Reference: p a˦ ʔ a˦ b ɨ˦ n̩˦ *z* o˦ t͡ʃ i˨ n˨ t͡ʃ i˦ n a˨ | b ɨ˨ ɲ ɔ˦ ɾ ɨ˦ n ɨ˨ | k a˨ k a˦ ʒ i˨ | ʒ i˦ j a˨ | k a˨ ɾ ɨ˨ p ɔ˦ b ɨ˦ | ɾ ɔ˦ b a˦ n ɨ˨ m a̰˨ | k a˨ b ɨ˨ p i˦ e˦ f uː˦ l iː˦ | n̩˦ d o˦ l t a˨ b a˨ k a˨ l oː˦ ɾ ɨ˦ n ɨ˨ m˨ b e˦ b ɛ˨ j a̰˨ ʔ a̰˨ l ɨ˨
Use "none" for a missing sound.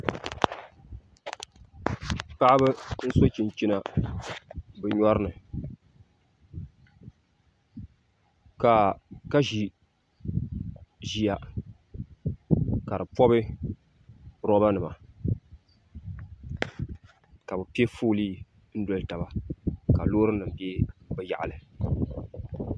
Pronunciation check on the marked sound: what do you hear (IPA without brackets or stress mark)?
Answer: s